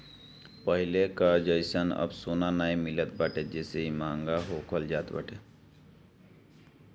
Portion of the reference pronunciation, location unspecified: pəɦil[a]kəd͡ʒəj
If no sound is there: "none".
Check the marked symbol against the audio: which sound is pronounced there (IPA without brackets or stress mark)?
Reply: e